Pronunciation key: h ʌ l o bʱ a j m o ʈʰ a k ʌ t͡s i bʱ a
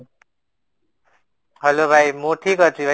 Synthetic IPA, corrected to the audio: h ʌ l o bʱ a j m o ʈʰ i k ʌ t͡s i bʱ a